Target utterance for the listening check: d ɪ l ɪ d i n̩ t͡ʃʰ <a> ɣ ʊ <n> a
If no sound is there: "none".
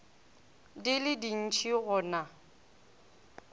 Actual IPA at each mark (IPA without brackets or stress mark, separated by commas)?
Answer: i, n